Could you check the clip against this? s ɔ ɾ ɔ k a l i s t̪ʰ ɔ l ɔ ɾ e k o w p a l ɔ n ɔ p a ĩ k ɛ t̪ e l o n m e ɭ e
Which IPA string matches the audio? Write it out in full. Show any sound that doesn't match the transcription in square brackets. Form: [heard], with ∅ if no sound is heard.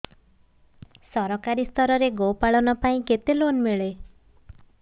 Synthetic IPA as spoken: s ɔ ɾ ɔ k a [ɾ] i s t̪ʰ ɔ [ɾ] ɔ ɾ e [ɡ] o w p a [ɭ] ɔ n ɔ p a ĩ k [e] t̪ e l o n m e ɭ e

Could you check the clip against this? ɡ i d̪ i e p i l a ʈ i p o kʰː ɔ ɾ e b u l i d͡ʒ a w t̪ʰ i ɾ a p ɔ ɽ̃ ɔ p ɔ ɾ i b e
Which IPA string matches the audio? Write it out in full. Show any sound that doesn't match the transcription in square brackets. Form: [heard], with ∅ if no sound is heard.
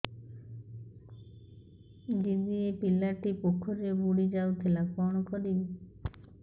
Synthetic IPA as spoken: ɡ i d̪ i e p i l a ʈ i p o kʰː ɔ ɾ e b u [ɽ] i d͡ʒ a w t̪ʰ i [l] a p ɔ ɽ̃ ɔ [k] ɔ ɾ i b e

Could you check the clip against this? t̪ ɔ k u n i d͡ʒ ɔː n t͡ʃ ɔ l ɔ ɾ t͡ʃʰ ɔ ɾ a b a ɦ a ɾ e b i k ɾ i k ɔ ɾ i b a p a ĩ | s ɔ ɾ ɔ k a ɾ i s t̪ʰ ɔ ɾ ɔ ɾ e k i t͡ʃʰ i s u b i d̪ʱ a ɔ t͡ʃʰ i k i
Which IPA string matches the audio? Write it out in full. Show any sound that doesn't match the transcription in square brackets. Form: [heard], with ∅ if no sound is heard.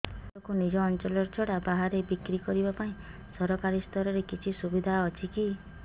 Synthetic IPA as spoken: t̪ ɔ k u n i d͡ʒ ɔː n t͡ʃ ɔ l ɔ ɾ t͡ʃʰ ɔ [ɽ] a b a ɦ a ɾ e b i k ɾ i k ɔ ɾ i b a p a ĩ | s ɔ ɾ ɔ k a ɾ i s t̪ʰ ɔ ɾ ɔ ɾ e k i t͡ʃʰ i s u b i d̪ʱ a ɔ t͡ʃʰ i k i

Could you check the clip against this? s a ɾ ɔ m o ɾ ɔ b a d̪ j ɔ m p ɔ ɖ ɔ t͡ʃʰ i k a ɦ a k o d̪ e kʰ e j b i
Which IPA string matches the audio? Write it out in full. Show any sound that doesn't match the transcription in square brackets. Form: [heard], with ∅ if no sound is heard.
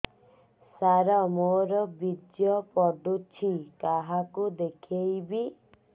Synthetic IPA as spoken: s a ɾ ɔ m o ɾ ɔ b [i] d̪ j ɔ [∅] p ɔ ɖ [u] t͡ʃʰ i k a ɦ a k [u] d̪ e kʰ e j b i

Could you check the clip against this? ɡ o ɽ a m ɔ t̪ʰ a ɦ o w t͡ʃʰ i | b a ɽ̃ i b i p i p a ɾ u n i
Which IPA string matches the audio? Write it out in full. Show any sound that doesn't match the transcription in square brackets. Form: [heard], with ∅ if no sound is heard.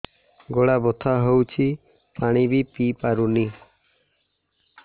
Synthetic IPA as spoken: ɡ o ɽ a [b] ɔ t̪ʰ a ɦ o w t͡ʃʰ i | [p] a ɽ̃ i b i p i p a ɾ u n i

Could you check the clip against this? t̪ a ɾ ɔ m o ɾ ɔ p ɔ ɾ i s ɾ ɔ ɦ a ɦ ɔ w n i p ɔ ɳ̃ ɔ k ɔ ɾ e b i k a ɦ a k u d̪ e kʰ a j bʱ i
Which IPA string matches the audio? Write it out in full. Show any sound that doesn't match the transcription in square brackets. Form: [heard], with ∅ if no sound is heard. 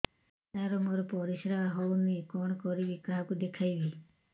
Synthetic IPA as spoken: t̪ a ɾ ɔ m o ɾ ɔ p ɔ ɾ i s ɾ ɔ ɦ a ɦ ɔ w n i [k] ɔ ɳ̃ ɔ k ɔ ɾ [i] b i k a ɦ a k u d̪ e kʰ a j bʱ i

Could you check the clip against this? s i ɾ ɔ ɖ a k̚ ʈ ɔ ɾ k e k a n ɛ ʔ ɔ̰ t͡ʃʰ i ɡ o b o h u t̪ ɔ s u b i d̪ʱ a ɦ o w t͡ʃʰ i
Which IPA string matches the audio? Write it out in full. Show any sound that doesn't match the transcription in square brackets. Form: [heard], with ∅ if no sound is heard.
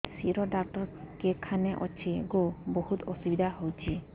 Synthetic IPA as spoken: s i ɾ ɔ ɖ a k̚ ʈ ɔ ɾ k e [kʰ] a n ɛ ʔ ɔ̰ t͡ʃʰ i ɡ o b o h u t̪ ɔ s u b i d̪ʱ a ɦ o w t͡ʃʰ i

